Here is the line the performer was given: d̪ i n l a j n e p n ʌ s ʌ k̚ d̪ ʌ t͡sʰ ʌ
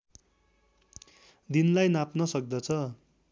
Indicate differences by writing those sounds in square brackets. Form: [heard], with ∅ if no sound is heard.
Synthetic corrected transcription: d̪ i n l a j n [a] p n ʌ s ʌ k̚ d̪ ʌ t͡sʰ ʌ